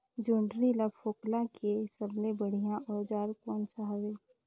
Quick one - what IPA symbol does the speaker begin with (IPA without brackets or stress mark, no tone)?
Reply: d͡ʒ